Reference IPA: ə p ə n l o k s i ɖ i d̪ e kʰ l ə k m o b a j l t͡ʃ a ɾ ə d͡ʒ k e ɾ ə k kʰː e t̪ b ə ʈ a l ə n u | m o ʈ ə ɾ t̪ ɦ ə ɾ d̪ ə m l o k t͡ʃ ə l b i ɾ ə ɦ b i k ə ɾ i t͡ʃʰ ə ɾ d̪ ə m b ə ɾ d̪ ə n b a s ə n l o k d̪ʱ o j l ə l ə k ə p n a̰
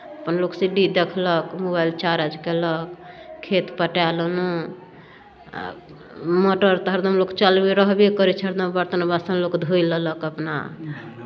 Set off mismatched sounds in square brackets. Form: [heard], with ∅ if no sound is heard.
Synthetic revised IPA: ə p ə n l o k s i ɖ i d̪ e kʰ l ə k m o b a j l t͡ʃ a ɾ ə d͡ʒ k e [l] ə k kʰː e t̪ [p] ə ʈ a l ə n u | m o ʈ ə ɾ t̪ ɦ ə ɾ d̪ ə m l o k t͡ʃ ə l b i ɾ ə ɦ b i k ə ɾ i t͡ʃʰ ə ɾ d̪ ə m b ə ɾ [t̪] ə n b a s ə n l o k d̪ʱ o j l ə l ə k ə p n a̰